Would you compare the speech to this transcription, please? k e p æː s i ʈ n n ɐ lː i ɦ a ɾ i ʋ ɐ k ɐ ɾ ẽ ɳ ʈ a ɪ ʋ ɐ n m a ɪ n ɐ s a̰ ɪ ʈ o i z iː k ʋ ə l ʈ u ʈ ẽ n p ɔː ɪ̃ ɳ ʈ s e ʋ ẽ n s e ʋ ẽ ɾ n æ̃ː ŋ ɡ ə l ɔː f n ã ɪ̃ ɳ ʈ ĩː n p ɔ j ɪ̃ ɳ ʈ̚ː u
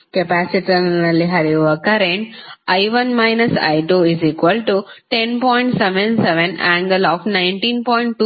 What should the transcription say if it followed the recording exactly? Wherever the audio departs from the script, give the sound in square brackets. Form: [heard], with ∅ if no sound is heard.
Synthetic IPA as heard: k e p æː s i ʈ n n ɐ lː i ɦ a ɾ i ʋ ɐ k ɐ ɾ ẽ ɳ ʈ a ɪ ʋ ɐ n m a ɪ n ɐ s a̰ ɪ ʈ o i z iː k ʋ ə l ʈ u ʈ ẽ n p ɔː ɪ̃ ɳ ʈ s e ʋ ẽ n s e ʋ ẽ [∅] n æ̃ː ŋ ɡ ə l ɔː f n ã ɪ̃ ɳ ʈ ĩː n p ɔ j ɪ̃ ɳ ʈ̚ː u